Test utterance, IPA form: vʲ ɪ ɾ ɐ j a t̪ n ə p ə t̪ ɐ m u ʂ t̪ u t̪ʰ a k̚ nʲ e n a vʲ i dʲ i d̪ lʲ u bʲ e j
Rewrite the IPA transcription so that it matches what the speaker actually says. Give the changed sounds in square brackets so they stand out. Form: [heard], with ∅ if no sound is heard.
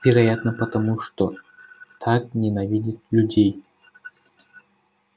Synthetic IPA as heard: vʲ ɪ ɾ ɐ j a t̪ n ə p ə t̪ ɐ m u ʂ t̪ [o] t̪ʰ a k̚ nʲ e n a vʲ i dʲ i [t̪] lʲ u [dʲ] e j